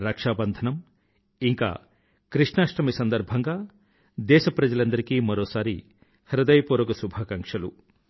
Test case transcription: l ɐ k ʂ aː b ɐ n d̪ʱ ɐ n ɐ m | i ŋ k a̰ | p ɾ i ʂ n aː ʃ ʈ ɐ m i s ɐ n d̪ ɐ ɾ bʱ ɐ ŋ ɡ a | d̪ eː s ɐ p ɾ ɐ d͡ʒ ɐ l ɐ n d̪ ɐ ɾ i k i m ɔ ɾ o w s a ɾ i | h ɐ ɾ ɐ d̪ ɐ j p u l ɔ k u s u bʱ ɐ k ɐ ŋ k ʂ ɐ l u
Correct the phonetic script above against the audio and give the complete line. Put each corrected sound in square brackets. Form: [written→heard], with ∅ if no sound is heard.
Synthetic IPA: [l→ɾ] ɐ k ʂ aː b ɐ n d̪ʱ ɐ n ɐ m | i ŋ k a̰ | [p→k] ɾ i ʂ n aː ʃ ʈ ɐ m i s ɐ n d̪ ɐ ɾ bʱ ɐ ŋ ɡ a | d̪ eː s ɐ p ɾ ɐ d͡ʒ ɐ l ɐ n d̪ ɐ ɾ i k i m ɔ ɾ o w s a ɾ i | h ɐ ɾ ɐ d̪ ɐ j p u [l→ɾ] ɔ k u s u bʱ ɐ k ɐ ŋ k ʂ ɐ l u